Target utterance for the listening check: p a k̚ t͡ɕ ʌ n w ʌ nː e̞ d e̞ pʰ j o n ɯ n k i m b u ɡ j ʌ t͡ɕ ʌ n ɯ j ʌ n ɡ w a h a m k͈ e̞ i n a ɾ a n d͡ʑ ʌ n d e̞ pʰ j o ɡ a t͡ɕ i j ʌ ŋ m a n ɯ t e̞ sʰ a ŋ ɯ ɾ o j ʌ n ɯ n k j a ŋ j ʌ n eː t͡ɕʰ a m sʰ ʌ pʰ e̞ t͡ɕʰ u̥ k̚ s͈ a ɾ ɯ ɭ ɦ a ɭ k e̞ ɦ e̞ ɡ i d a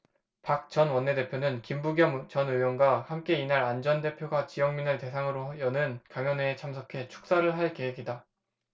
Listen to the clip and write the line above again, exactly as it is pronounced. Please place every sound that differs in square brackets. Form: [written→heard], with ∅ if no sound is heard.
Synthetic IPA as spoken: p a k̚ t͡ɕ ʌ n w ʌ nː e̞ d e̞ pʰ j o n ɯ n k i m b u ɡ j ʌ t͡ɕ ʌ n ɯ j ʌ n ɡ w a h a m k͈ e̞ i n a ɾ a n d͡ʑ ʌ n d e̞ pʰ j o ɡ a t͡ɕ i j ʌ ŋ m [a→i] n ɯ t e̞ sʰ a ŋ ɯ ɾ o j ʌ n ɯ n k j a ŋ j ʌ n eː t͡ɕʰ a m sʰ ʌ [pʰ→kʰ] e̞ t͡ɕʰ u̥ k̚ s͈ a ɾ ɯ ɭ ɦ a ɭ k e̞ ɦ e̞ ɡ i d a